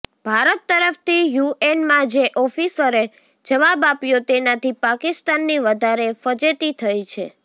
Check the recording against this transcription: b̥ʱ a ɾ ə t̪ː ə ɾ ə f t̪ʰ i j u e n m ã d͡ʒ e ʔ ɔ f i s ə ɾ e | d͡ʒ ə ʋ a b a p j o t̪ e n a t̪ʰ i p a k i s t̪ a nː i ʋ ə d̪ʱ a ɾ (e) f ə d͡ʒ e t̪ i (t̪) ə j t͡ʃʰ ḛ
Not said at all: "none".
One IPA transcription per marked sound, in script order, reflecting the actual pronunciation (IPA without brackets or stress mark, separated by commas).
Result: e, t̪ʰ